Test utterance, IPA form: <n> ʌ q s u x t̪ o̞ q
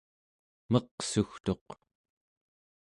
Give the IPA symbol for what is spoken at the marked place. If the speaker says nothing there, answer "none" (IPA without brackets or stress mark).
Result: m